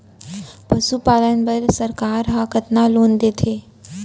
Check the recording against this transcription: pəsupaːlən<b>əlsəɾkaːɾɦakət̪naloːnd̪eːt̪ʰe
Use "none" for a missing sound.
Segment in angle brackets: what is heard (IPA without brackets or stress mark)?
b